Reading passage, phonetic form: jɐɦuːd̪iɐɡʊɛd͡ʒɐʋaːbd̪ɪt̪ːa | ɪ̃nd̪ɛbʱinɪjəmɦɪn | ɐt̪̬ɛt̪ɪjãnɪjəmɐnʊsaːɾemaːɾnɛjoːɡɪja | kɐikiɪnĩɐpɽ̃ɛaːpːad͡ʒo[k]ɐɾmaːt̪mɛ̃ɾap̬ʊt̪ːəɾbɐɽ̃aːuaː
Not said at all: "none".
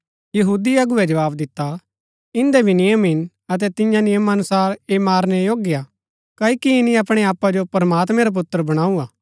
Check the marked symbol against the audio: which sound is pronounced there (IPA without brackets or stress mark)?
p